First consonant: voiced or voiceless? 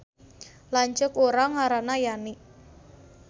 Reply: voiced